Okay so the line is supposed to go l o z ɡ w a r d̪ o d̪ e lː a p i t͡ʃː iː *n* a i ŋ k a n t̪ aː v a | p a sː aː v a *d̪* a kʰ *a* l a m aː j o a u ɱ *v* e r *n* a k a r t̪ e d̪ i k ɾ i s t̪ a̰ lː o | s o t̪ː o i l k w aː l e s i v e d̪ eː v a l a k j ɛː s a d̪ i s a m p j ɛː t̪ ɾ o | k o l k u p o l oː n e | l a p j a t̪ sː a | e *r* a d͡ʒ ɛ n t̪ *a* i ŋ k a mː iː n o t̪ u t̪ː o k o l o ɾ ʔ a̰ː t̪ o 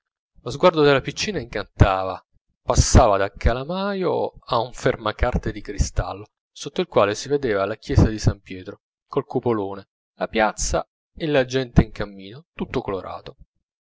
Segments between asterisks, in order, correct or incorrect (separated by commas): correct, correct, correct, incorrect, incorrect, incorrect, incorrect